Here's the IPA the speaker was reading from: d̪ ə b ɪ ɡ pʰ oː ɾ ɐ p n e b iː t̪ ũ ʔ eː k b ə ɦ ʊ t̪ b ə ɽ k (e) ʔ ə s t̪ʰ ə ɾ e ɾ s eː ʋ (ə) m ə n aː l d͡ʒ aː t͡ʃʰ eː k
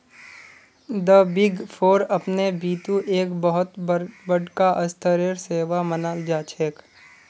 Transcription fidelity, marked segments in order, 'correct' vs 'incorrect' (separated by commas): incorrect, incorrect